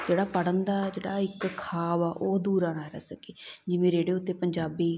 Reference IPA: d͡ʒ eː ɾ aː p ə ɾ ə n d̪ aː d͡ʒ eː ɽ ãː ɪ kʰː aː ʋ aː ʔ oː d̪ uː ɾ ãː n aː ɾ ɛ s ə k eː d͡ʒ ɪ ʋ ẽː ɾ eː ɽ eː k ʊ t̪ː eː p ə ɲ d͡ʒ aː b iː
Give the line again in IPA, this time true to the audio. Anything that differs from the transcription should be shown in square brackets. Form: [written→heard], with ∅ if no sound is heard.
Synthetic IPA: d͡ʒ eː [ɾ→ɽ] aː p ə [ɾ→ɽ] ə n d̪ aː d͡ʒ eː ɽ [ãː→aː] ɪ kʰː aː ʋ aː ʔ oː d̪ uː ɾ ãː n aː ɾ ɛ s ə k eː d͡ʒ ɪ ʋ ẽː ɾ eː ɽ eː [k→∅] ʊ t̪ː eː p ə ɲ d͡ʒ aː b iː

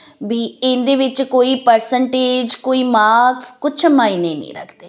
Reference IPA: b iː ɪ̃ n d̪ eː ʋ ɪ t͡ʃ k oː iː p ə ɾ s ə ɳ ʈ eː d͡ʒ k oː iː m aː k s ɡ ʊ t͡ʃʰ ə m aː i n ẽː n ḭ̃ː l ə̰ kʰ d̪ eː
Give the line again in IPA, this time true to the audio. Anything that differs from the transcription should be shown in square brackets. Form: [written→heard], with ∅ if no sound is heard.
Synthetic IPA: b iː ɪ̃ n d̪ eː ʋ ɪ t͡ʃ k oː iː p ə ɾ s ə ɳ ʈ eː d͡ʒ k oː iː m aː k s [ɡ→k] ʊ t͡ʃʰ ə m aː i n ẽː n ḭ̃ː [l→ɾ] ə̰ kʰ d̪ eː

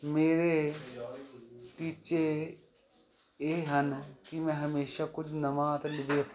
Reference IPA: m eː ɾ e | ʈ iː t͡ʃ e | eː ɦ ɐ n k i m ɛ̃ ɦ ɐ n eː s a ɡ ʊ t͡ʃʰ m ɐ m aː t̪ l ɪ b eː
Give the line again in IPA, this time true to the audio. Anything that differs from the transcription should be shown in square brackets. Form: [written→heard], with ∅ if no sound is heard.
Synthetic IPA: m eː ɾ e | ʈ iː t͡ʃ e | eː ɦ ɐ n k i m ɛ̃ ɦ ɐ [n→m] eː [s→ʃ] a [ɡ→k] ʊ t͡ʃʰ [m→n] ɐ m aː t̪ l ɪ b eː

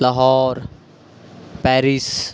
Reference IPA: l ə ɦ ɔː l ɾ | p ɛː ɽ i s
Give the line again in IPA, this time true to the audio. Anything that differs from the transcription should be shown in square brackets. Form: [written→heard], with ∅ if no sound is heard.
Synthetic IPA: l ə ɦ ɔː [l→∅] ɾ | p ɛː [ɽ→ɾ] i s

